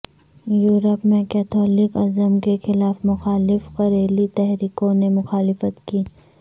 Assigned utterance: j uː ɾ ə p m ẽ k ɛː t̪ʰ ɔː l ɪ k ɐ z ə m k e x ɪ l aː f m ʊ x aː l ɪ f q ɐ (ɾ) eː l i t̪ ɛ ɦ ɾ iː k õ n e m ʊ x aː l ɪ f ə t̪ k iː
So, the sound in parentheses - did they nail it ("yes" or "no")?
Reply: yes